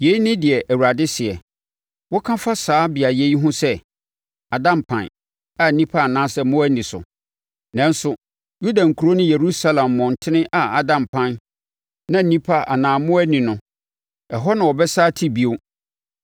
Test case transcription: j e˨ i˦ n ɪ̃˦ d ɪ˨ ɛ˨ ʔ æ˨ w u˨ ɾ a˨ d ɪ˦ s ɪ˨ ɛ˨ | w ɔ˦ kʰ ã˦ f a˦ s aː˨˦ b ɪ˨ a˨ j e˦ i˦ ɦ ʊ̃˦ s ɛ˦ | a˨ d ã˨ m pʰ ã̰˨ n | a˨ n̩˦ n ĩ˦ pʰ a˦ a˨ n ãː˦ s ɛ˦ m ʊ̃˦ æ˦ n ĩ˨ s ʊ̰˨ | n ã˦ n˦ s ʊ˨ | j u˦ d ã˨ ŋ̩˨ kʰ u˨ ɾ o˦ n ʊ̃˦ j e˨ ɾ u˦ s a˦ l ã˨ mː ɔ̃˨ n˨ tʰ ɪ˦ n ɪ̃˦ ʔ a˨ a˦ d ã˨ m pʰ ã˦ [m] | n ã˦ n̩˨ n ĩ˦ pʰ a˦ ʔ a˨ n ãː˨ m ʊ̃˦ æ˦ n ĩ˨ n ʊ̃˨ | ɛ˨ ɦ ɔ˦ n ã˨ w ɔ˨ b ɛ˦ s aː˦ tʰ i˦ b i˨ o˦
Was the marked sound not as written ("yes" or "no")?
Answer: yes